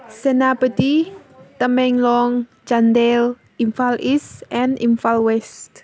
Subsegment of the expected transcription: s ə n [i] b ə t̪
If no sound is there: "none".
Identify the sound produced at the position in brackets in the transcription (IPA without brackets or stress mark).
a